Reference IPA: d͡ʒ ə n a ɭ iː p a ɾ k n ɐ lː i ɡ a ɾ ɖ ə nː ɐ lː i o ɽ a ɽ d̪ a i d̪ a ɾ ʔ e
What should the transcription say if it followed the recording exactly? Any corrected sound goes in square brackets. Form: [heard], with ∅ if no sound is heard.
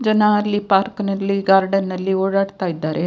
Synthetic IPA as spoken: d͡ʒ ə n a [l] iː p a ɾ k n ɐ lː i ɡ a ɾ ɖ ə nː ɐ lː i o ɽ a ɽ [t̪] a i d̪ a ɾ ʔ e